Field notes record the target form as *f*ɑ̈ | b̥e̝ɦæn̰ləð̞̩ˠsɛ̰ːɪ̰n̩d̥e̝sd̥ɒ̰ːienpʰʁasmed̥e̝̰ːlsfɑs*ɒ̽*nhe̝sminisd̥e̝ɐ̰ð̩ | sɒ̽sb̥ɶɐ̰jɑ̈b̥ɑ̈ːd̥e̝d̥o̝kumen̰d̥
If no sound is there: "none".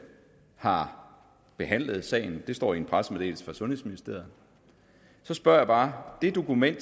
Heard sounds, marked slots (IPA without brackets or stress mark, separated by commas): h, ɔ̽